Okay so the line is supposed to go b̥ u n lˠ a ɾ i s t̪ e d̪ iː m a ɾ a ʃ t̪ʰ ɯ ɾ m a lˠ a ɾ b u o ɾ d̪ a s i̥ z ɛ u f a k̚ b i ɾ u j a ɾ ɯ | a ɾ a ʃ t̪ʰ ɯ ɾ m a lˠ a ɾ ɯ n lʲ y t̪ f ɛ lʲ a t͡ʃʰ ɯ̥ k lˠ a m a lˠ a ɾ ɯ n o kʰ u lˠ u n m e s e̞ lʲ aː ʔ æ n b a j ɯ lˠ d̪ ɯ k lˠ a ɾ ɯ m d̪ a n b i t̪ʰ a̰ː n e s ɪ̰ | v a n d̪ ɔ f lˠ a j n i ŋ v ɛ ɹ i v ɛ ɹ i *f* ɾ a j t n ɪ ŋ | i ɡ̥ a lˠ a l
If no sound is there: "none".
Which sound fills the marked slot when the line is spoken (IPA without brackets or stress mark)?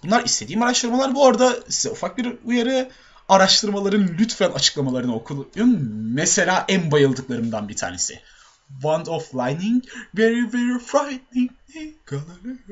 f